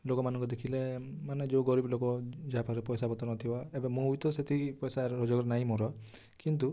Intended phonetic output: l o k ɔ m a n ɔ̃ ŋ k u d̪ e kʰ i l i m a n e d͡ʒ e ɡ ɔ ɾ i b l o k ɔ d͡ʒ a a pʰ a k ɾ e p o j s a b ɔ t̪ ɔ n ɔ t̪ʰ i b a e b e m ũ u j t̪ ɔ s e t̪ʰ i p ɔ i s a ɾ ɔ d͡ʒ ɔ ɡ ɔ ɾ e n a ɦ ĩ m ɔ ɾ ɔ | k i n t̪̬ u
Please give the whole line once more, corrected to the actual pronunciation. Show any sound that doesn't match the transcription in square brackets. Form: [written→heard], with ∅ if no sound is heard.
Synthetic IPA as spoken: l o k ɔ m a n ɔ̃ ŋ k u d̪ e kʰ i l [i→e] m a n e d͡ʒ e ɡ ɔ ɾ i b l o k ɔ d͡ʒ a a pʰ a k ɾ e p [o→ɔ] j s a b ɔ t̪ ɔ n ɔ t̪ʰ i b a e b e m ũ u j t̪ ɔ s e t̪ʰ i p ɔ [i→j] s a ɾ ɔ d͡ʒ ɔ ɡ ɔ ɾ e n a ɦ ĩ m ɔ ɾ ɔ | k i n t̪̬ u